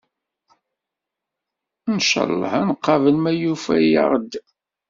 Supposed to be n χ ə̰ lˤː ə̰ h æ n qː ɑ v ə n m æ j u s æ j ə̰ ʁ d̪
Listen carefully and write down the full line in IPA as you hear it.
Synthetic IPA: n ʃ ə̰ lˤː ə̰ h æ n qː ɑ v ə n m æ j u f æ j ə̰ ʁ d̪